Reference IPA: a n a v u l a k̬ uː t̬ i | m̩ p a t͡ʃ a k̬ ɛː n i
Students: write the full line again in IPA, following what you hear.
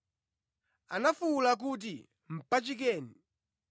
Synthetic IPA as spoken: a n a f u l a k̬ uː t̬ i | m̩ p a t͡ʃ i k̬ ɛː n i